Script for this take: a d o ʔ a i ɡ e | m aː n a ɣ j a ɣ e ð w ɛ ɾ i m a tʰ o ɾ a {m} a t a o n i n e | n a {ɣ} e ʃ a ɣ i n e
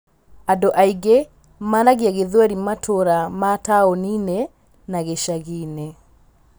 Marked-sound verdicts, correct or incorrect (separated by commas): correct, correct